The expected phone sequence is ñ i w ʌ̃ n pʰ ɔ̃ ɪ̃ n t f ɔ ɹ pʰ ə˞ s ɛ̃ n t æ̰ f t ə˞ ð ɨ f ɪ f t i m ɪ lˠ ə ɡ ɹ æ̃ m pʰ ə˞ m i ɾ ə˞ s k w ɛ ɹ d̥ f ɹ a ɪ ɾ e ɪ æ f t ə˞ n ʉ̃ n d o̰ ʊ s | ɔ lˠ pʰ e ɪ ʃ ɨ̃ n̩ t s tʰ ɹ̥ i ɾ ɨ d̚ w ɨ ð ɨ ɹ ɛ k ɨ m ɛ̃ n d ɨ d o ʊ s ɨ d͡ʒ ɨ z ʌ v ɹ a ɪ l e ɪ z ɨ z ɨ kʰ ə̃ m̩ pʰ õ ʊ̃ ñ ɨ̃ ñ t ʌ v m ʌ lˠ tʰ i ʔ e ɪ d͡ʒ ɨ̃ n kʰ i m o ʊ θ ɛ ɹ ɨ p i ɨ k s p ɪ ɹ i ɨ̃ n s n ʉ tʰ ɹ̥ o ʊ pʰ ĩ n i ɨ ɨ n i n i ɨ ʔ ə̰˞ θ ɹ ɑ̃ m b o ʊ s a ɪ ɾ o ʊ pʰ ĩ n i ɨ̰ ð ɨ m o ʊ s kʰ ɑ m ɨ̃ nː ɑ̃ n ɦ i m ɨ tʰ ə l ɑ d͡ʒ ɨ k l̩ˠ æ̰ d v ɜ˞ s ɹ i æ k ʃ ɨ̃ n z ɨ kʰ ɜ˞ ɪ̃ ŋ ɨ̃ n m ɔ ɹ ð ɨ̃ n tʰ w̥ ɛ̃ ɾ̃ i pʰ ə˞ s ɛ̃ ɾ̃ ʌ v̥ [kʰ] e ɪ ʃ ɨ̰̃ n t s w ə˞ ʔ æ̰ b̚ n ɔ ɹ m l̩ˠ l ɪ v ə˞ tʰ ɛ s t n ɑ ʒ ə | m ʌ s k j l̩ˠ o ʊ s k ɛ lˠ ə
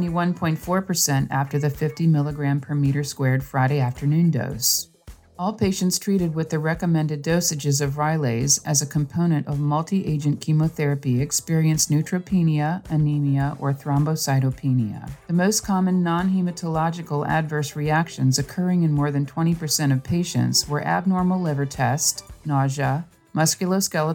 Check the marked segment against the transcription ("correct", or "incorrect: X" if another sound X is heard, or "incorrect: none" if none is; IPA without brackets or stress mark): incorrect: pʰ